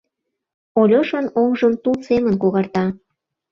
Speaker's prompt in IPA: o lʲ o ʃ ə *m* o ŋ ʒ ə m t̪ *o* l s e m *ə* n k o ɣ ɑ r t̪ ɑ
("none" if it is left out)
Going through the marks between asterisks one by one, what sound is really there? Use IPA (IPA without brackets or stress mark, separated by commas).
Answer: n, u, ə